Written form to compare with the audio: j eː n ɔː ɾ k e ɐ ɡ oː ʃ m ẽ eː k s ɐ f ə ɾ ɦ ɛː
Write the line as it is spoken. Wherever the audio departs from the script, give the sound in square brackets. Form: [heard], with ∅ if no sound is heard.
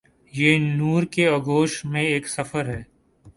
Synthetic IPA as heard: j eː n [uː] ɾ k e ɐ ɡ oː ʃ m ẽ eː k s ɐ f ə ɾ ɦ ɛː